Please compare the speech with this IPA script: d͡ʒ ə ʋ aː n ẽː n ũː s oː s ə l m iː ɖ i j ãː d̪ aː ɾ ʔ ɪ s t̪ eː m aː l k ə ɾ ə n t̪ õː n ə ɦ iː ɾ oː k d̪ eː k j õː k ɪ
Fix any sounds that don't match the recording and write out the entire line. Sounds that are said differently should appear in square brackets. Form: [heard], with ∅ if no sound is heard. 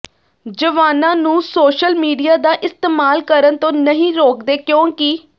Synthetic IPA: d͡ʒ ə ʋ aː n [ãː] n ũː s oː [ʃ] ə l m iː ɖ i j [aː] d̪ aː [∅] ʔ ɪ s t̪ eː m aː l k ə ɾ ə n t̪ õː n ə ɦ [ĩː] ɾ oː k d̪ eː k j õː k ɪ

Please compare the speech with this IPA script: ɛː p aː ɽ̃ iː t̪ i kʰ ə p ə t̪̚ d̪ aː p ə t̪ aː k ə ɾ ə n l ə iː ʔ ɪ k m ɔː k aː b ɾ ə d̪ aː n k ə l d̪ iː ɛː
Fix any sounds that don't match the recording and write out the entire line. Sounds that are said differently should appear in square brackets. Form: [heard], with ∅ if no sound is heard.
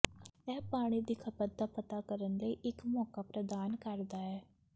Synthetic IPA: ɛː p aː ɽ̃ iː [d̪] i kʰ ə p ə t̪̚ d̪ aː p ə t̪ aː k ə ɾ ə n l ə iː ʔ ɪ k m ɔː k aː [p] ɾ ə d̪ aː n k ə [ɾ] d̪ [aː] ɛː

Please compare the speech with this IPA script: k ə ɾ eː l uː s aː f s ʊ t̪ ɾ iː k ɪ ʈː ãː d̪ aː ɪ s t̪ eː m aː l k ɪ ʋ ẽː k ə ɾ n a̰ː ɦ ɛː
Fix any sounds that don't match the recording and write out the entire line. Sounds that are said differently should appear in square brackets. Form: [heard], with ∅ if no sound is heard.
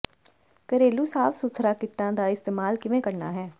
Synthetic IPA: k ə ɾ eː l uː s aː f s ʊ [t̪ʰ] ɾ [aː] k ɪ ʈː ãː d̪ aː ɪ s t̪ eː m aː l k ɪ ʋ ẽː k ə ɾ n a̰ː ɦ ɛː

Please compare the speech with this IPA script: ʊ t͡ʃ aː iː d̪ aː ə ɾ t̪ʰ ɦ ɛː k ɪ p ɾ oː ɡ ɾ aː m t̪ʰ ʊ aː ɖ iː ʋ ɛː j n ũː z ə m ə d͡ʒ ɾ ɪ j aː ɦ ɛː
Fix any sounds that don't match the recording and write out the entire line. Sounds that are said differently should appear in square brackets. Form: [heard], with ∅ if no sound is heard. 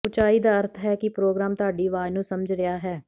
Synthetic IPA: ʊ t͡ʃ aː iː d̪ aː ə ɾ t̪ʰ ɦ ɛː k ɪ p ɾ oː ɡ ɾ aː m [t̪] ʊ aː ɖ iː ʋ [aː] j n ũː [s] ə m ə d͡ʒ ɾ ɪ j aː ɦ ɛː

